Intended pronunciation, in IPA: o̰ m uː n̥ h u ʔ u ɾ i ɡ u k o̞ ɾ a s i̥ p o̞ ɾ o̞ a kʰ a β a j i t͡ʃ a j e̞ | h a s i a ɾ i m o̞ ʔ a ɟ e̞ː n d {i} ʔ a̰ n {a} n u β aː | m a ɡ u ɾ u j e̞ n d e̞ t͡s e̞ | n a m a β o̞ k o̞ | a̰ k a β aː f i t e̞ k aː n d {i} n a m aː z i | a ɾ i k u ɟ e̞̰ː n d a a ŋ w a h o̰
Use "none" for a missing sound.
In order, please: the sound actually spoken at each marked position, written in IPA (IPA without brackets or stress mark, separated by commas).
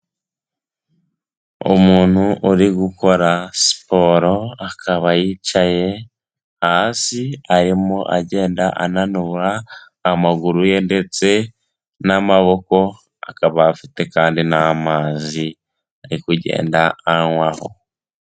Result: a, a, i